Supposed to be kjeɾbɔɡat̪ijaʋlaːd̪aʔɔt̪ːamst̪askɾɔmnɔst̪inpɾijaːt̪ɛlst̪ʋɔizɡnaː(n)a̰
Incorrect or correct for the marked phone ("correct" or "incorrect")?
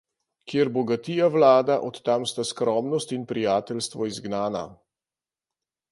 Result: correct